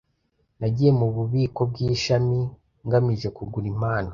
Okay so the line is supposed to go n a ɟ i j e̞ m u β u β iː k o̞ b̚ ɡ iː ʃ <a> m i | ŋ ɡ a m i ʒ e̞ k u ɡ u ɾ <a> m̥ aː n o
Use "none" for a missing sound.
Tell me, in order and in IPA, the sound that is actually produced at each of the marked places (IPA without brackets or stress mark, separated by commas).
a, i